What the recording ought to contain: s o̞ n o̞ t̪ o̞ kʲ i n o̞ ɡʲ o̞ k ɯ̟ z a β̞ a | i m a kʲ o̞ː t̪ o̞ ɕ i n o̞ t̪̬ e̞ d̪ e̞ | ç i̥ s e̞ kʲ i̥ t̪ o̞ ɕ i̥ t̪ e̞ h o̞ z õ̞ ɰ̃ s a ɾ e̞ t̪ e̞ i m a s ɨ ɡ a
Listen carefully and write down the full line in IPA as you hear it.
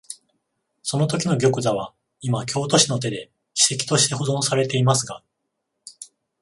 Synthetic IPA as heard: s o̞ n o̞ t̪ o̞ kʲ i n o̞ ɡʲ o̞ k ɯ̟ z a β̞ a | i m a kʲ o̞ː t̪ o̞ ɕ i n o̞ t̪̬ e̞ d̪ e̞ | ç i̥ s e̞ kʲ i̥ t̪ o̞ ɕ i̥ t̪ e̞ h o̞ z õ̞ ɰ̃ s a ɾ e̞ t̪ e̞ i m a s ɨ ɡ a